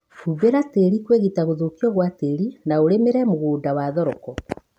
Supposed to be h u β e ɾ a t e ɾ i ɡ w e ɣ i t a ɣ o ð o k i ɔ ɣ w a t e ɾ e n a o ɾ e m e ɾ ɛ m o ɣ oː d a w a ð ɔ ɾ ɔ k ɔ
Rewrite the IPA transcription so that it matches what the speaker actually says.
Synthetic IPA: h u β e ɾ a t e ɾ i k w e ɣ i t a ɣ o ð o k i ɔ ɣ w a t e ɾ i n a o ɾ e m e ɾ ɛ m o ɣ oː d a w a ð ɔ ɾ ɔ k ɔ

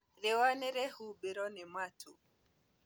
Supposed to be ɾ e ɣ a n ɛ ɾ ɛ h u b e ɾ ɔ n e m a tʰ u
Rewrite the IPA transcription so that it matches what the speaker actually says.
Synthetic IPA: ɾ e w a n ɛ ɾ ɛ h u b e ɾ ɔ n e m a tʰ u

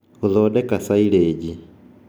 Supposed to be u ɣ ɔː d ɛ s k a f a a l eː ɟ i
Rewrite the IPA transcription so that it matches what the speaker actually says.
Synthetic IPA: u ð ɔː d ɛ k a s a i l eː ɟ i

